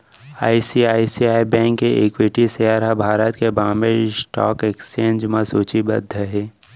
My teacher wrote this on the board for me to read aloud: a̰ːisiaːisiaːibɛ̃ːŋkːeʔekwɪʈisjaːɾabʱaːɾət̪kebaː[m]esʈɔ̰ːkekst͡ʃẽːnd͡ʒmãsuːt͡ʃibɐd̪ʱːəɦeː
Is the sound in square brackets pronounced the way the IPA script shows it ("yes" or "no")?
yes